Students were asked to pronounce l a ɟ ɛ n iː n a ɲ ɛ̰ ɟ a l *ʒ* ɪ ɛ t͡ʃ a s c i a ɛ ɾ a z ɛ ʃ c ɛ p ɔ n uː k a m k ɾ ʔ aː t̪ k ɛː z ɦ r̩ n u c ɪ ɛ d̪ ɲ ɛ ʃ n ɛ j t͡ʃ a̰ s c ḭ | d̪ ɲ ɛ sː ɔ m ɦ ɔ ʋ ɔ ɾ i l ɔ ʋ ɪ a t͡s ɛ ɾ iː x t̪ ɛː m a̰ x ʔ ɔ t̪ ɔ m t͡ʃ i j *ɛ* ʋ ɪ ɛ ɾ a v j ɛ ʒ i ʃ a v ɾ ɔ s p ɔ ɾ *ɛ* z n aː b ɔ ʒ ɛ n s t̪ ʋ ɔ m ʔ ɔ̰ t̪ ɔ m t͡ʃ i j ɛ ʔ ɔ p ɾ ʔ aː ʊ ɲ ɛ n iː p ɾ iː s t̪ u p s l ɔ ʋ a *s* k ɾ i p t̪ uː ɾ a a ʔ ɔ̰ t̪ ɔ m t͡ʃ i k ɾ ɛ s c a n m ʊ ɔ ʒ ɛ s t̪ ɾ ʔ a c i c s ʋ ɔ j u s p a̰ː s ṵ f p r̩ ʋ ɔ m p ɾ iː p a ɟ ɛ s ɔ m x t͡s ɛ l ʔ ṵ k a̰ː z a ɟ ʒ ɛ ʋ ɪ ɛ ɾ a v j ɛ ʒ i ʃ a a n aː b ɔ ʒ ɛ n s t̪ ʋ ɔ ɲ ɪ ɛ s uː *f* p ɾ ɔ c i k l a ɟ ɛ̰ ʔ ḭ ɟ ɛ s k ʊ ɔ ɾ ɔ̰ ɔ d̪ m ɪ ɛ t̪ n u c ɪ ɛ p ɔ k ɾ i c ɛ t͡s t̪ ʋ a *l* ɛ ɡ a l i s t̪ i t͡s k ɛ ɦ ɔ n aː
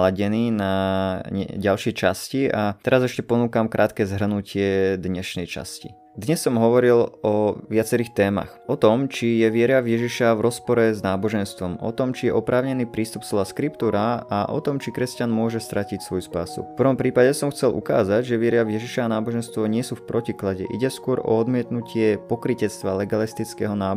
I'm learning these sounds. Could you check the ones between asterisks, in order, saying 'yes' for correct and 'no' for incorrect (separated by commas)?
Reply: no, yes, yes, yes, yes, yes